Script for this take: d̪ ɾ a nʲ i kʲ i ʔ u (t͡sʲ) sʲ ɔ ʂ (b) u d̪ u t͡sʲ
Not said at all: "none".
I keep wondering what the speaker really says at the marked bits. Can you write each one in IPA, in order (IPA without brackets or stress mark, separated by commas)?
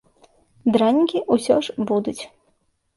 none, b